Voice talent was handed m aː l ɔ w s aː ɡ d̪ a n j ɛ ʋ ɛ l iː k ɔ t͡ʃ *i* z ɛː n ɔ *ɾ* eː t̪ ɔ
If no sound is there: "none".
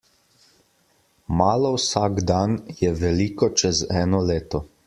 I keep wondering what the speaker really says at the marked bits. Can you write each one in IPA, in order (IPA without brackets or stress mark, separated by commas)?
ɛ, l